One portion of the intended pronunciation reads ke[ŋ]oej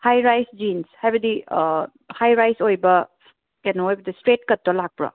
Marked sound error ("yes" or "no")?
yes